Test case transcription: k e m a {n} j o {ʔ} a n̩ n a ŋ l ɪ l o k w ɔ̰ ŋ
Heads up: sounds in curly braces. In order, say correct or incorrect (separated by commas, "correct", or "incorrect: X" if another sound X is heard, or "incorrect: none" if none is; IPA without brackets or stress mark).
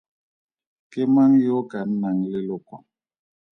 incorrect: ŋ, incorrect: k